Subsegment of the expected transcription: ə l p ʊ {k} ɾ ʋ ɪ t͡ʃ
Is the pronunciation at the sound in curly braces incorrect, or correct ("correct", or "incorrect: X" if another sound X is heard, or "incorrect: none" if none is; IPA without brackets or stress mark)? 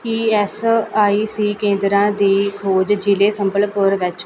incorrect: none